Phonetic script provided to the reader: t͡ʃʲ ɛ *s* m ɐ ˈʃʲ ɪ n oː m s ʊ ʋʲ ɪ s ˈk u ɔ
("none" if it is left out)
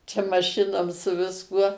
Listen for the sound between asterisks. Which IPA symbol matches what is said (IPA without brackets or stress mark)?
none